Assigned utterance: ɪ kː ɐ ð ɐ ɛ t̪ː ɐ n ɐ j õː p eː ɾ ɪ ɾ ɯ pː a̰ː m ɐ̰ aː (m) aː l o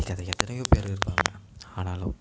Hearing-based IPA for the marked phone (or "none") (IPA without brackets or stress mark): n